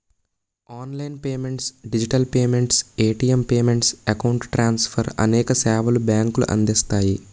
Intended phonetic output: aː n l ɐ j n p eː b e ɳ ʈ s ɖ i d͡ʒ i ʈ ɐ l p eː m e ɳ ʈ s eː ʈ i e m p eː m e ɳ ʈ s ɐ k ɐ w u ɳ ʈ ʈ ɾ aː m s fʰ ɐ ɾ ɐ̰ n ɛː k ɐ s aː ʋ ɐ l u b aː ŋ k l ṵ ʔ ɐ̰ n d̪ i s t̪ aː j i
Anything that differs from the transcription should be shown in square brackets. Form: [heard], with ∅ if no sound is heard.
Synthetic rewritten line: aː n l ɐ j n p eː [m] e ɳ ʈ s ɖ i d͡ʒ i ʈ ɐ l p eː m e ɳ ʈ s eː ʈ i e m p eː m e ɳ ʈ s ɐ k ɐ w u ɳ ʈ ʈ ɾ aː [n] s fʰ ɐ ɾ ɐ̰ n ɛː k ɐ s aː ʋ ɐ l u b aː ŋ k l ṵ ʔ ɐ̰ n d̪ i s t̪ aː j i